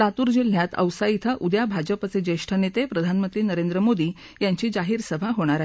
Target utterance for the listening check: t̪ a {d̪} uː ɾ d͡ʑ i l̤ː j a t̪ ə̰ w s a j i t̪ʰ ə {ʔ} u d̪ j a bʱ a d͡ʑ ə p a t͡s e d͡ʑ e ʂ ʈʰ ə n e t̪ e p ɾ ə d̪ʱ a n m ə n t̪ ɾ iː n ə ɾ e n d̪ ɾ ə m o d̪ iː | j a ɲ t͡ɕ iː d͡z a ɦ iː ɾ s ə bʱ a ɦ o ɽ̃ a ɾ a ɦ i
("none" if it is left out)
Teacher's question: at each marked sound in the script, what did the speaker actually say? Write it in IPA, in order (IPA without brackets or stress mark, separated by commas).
t̪, ʔ